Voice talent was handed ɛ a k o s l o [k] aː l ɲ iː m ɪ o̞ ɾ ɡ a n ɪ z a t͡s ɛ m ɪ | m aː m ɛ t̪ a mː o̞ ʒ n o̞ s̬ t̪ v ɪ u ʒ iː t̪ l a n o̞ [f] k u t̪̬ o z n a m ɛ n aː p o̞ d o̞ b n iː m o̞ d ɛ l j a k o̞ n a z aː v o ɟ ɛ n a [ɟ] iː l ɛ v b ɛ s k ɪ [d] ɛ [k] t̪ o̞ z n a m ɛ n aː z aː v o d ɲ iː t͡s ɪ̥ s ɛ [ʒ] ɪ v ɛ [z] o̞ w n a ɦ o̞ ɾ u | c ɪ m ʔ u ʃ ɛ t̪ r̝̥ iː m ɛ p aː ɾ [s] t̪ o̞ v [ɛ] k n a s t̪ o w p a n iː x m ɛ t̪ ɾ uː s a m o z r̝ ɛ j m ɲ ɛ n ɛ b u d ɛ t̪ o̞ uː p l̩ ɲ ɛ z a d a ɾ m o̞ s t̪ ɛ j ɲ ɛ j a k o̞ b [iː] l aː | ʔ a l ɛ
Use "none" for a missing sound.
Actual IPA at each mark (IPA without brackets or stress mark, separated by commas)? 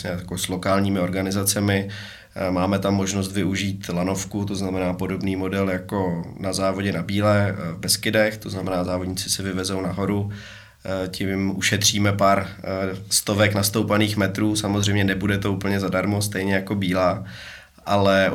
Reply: k, f, b, d, x, v, z, s, ɛ, iː